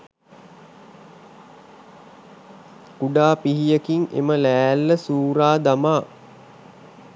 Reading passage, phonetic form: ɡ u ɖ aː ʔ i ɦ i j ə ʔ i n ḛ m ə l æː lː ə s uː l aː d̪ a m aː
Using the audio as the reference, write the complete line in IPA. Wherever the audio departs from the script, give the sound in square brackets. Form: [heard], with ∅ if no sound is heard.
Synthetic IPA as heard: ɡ u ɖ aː [p] i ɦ i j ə [k] i [ŋ] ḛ m ə l æː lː ə s uː [ɾ] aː d̪ a m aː